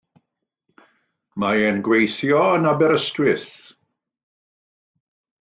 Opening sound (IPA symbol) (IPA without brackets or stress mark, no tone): m